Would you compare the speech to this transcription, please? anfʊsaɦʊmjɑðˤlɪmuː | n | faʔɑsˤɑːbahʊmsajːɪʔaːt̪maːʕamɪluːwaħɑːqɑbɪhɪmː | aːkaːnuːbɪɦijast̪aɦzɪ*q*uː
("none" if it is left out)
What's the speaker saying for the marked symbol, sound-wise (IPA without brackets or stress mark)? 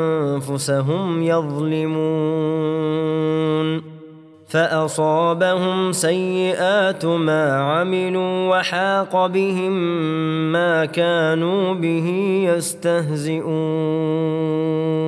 ʔ